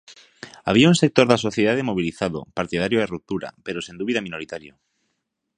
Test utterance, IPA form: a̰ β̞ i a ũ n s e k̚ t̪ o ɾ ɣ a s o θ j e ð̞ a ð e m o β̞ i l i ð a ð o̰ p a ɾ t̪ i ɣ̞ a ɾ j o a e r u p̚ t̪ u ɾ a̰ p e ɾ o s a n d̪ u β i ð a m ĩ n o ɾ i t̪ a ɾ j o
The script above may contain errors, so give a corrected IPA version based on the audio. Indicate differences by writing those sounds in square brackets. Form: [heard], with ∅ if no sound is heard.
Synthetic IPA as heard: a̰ β̞ i a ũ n s e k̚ t̪ o ɾ [ð] a s o θ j e ð̞ a ð e m o β̞ i l i [θ] a ð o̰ p a ɾ t̪ i [ð̞] a ɾ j o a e r u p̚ t̪ u ɾ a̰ p e ɾ o s [e] n d̪ u β i ð a m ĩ n o ɾ i t̪ a ɾ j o